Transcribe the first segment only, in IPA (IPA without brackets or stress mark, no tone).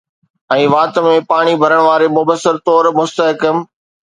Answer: ɛ̃ː